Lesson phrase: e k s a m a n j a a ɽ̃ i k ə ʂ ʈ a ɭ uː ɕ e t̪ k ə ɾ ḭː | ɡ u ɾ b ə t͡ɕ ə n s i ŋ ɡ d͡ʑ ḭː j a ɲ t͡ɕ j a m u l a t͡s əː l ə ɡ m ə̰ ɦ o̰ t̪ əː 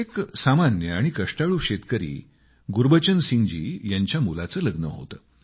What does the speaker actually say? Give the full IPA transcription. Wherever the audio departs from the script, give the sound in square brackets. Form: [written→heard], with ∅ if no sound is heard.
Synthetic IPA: e k s a m a n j [a→ə] a ɽ̃ i k ə ʂ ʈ a ɭ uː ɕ e t̪ k ə ɾ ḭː | ɡ u ɾ b ə t͡ɕ ə n s i ŋ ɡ d͡ʑ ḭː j a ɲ t͡ɕ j a m u l a t͡s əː l ə ɡ [m→n] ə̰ ɦ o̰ t̪ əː